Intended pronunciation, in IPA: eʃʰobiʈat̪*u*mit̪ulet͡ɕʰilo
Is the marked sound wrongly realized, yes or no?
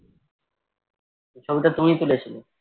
no